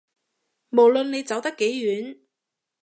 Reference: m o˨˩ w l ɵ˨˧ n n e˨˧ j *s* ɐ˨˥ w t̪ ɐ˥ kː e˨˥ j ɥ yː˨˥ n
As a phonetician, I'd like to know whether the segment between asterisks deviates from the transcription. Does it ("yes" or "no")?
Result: yes